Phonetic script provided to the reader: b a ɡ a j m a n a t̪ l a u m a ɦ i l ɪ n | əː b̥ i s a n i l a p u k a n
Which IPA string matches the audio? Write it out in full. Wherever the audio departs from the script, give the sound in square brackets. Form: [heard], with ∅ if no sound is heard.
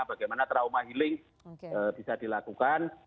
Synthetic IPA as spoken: b a ɡ a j m a n a t̪ [ɾ] a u m a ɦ i l ɪ [ŋ] | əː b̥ i s a [d] i l a [k] u k a n

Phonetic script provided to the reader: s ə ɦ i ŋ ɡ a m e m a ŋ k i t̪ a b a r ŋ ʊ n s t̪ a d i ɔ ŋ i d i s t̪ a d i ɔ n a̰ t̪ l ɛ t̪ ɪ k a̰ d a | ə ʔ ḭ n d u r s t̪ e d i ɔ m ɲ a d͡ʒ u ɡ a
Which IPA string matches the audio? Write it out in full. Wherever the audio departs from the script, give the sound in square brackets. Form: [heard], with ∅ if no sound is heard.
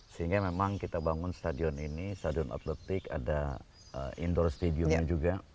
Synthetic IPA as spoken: s ə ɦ i ŋ ɡ a m e m a ŋ k i t̪ a b a [∅] ŋ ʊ n s t̪ a d i ɔ [n] i [n] i s t̪ a d i ɔ n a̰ t̪ l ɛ t̪ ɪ k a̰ d a | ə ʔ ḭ n d [ɔ] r s t̪ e d i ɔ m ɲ a d͡ʒ u ɡ a

